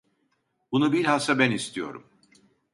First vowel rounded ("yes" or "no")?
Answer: yes